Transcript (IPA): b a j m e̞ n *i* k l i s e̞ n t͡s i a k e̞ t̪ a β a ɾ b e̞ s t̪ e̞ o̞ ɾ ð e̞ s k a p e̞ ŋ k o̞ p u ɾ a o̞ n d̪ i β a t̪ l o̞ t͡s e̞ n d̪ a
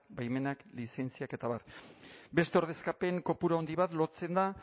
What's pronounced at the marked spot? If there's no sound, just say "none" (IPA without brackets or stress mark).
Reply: a